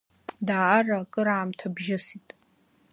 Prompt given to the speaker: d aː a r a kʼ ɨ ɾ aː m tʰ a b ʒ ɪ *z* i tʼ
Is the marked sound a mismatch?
yes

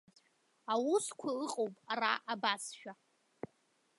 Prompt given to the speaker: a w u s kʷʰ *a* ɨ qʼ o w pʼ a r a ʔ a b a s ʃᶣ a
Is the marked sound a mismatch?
no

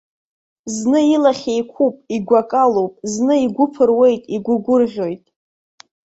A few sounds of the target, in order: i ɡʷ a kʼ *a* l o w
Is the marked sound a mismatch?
no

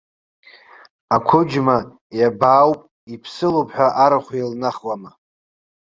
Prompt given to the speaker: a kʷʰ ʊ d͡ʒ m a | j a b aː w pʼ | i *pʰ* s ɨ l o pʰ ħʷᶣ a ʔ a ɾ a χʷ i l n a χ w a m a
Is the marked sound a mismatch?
no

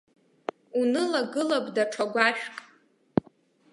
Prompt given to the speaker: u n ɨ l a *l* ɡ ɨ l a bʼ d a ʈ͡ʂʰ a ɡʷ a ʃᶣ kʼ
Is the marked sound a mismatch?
yes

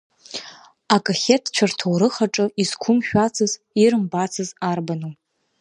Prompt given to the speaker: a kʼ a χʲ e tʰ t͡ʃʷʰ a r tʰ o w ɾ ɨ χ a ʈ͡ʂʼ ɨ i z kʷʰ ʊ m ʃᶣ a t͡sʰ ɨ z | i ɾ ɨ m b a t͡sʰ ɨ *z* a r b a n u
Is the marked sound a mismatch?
no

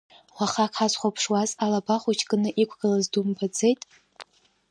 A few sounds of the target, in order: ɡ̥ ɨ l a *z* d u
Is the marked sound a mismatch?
no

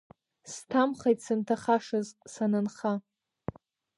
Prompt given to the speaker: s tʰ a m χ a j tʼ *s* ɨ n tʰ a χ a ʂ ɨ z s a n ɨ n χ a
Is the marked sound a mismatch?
no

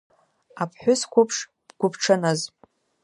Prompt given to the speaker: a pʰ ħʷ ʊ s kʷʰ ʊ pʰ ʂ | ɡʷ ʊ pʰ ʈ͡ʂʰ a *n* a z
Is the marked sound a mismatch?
no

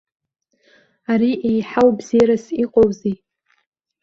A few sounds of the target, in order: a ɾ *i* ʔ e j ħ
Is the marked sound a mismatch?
no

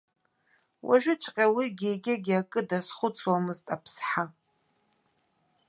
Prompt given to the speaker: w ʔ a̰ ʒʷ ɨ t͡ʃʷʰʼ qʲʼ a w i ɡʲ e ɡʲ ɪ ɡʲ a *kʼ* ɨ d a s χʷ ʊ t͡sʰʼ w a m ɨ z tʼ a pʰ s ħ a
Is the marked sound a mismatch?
no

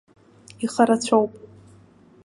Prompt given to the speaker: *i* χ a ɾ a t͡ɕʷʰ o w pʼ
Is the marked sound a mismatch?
no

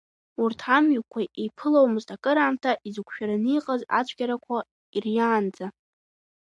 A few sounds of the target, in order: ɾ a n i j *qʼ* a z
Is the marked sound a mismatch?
no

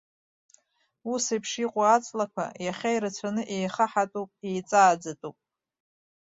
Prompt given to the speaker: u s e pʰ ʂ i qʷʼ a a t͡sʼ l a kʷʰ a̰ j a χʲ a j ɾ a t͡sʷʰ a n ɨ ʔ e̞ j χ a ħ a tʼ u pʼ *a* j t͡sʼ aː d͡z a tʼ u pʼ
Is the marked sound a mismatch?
yes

